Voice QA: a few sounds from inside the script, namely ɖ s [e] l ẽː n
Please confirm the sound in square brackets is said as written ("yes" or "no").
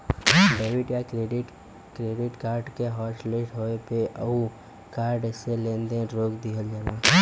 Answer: yes